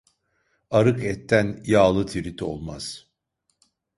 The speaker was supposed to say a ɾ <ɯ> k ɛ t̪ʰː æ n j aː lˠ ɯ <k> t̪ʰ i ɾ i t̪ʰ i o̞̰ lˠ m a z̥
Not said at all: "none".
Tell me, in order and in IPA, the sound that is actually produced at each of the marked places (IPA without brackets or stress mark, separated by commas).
ɯ, none